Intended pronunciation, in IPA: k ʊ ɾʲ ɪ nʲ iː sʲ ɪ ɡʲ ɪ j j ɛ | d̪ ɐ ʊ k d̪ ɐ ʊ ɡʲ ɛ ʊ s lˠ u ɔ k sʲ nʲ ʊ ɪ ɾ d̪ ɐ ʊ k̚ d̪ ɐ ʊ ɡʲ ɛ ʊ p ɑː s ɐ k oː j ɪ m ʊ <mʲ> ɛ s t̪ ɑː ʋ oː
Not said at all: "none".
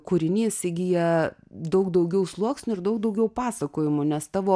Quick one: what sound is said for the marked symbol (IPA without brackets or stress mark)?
nʲ